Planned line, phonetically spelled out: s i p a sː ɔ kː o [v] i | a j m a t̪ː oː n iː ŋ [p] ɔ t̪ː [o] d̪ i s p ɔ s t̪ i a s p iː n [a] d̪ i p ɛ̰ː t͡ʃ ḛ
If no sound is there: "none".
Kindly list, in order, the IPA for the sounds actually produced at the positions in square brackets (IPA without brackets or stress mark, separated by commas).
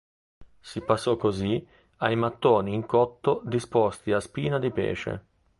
z, k, o, a